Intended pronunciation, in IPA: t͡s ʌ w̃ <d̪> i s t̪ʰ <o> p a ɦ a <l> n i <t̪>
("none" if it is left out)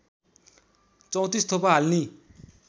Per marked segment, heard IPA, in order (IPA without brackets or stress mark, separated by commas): t̪, o, l, none